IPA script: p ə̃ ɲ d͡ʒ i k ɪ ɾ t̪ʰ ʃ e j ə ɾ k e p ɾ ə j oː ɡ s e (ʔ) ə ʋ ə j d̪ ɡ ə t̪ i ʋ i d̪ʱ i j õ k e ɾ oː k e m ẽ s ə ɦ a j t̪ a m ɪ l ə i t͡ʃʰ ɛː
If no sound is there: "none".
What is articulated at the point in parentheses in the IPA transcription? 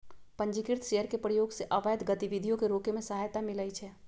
ʔ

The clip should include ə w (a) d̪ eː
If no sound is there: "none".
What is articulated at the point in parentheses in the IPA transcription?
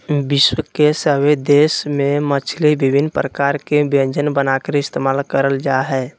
e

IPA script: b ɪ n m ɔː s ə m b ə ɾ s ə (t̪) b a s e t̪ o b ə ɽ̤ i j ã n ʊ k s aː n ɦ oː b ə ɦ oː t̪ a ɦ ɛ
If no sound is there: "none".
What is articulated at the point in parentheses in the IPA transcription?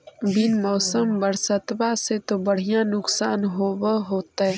t̪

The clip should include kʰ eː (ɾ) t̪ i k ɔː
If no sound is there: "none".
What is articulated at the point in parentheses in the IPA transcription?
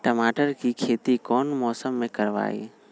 none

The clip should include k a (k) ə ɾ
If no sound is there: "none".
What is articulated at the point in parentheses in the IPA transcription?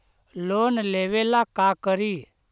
k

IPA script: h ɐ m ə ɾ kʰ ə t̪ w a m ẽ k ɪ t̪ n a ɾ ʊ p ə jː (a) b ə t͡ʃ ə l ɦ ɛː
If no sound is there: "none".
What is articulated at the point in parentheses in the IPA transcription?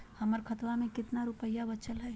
a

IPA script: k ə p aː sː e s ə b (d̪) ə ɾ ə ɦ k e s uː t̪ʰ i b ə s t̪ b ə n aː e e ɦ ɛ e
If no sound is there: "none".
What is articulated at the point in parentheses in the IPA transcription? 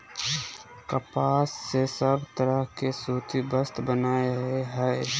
t̪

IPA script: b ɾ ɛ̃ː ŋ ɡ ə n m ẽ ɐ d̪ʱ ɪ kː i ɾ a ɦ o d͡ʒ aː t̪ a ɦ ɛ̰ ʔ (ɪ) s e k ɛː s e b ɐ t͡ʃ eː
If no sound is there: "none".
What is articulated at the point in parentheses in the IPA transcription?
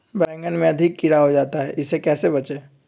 ɪ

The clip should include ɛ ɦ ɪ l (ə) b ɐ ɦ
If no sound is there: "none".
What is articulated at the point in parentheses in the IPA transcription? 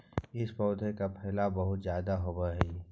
a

